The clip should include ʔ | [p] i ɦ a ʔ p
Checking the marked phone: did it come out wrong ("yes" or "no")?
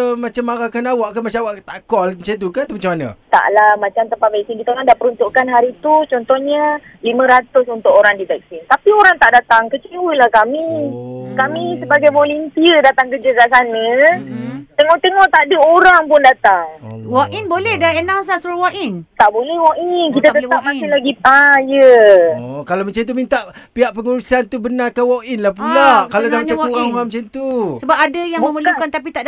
no